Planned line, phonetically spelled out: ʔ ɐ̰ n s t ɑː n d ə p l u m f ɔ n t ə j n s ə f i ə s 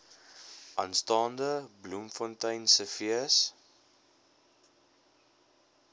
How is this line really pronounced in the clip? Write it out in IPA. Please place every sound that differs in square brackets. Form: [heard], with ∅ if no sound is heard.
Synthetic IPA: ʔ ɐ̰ n s t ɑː n d ə [b] l u m f ɔ n t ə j n s ə f i ə s